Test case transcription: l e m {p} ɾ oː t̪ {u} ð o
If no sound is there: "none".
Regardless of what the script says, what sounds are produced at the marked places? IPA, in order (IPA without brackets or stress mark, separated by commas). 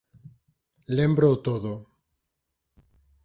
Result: b, o